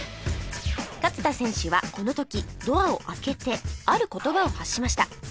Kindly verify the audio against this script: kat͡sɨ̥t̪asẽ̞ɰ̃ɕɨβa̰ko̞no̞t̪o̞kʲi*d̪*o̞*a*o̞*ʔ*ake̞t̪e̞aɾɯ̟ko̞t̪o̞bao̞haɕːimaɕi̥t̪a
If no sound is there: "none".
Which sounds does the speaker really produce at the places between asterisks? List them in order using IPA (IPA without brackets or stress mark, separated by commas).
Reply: d̪, a, ʔ